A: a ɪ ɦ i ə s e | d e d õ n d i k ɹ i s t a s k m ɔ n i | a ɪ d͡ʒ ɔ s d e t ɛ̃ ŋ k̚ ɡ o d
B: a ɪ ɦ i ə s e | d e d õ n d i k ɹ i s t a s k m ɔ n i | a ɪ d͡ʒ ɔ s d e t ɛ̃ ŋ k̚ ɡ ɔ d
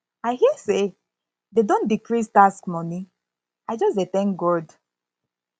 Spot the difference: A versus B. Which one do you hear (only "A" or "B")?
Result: B